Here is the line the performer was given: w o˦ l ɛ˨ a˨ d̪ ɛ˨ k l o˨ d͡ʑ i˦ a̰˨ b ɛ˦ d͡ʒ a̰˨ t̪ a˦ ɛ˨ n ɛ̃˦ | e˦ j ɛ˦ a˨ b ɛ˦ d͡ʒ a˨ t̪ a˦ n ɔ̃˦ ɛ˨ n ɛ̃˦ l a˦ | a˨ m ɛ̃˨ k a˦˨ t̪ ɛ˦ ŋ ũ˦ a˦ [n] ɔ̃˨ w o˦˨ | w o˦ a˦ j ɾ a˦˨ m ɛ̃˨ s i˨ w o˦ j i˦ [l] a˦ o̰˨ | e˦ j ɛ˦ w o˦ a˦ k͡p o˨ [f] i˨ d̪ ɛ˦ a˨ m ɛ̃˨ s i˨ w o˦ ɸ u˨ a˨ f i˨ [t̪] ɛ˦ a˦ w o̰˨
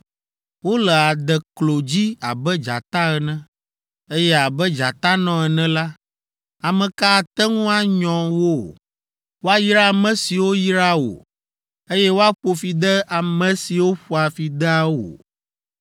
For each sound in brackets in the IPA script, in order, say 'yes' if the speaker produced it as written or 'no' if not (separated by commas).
no, no, yes, no